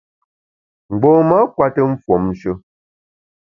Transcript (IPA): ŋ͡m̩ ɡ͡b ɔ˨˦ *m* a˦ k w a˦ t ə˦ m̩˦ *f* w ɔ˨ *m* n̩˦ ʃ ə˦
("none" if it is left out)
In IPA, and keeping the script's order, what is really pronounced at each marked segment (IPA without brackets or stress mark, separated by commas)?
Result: m, f, m